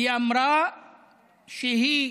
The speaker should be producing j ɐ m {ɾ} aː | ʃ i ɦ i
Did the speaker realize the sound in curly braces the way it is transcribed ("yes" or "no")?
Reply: yes